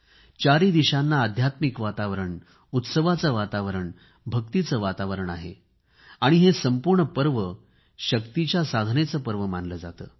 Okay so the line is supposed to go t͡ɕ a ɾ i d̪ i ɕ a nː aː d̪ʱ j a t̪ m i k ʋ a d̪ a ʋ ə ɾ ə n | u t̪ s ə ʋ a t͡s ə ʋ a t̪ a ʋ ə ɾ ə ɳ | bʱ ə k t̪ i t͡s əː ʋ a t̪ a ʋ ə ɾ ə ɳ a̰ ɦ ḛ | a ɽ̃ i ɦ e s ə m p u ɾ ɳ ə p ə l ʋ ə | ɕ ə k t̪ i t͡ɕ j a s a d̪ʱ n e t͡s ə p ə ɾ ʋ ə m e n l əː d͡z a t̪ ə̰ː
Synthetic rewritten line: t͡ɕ a ɾ i d̪ i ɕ a nː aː d̪ʱ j a t̪ m i k ʋ a t̪ a ʋ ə ɾ ə ɳ | u t̪ s ə ʋ a t͡s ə ʋ a t̪ a ʋ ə ɾ ə ɳ | bʱ ə k t̪ i t͡s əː ʋ a t̪ a ʋ ə ɾ ə ɳ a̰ ɦ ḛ | a ɽ̃ i ɦ e s ə m p u ɾ ɳ ə p ə ɾ ʋ ə | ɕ ə k t̪ i t͡ɕ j a s a d̪ʱ n e t͡s ə p ə ɾ ʋ ə m a n l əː d͡z a t̪ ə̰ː